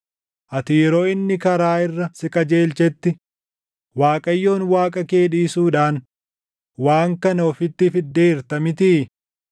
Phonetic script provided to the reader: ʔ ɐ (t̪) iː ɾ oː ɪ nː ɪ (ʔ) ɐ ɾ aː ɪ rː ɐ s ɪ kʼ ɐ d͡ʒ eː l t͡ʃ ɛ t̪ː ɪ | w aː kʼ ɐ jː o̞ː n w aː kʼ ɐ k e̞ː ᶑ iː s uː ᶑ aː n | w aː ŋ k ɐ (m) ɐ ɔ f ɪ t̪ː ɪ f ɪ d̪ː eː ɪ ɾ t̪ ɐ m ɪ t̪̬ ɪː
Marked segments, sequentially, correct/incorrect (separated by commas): correct, incorrect, incorrect